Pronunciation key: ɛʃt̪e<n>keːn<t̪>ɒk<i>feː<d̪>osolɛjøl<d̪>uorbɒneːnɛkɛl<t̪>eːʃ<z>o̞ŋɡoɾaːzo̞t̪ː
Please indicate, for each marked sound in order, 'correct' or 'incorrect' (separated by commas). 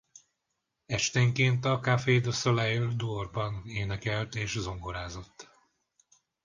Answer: incorrect, correct, incorrect, correct, correct, correct, correct